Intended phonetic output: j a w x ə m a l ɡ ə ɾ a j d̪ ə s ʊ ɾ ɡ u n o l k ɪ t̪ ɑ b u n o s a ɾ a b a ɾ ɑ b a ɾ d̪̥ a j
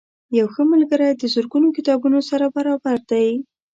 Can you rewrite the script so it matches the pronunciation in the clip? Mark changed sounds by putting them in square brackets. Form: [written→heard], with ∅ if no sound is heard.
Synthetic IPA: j a w x ə m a l ɡ ə ɾ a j d̪ ə [s→z] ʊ ɾ ɡ u n o [l→∅] k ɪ t̪ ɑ b u n o s a ɾ a b a ɾ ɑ b a ɾ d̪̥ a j